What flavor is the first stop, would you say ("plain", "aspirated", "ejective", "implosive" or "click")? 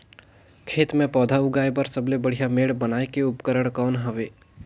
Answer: aspirated